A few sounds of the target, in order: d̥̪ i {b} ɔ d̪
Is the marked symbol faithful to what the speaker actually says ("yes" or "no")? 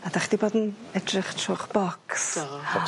yes